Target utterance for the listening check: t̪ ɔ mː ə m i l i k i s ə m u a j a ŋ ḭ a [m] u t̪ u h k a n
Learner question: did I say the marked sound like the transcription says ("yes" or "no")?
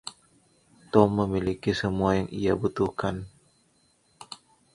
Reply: no